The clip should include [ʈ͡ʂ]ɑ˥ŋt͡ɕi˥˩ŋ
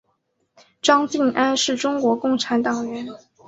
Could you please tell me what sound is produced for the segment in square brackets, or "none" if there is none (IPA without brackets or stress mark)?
ʈ͡ʂ